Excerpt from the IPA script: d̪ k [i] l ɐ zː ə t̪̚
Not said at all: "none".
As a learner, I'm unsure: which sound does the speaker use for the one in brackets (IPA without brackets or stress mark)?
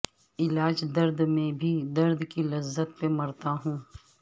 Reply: i